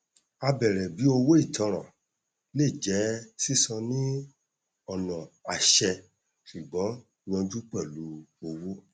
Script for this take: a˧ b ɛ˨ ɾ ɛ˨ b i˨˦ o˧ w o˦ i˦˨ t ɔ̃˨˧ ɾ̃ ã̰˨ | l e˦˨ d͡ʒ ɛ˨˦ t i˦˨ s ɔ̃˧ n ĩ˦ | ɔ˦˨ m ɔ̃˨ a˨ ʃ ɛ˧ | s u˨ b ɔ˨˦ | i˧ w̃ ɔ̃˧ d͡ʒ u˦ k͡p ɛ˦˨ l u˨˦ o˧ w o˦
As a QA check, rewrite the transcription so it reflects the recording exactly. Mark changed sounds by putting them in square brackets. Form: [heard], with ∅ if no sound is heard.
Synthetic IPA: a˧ b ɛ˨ ɾ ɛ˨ b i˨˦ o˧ w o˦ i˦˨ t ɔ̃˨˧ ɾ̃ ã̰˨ | l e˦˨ d͡ʒ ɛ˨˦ [s] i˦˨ s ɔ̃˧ n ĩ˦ | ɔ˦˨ [n] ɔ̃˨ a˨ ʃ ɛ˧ | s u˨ [ɡ͡b] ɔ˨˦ | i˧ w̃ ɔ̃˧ d͡ʒ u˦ k͡p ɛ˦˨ l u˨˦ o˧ w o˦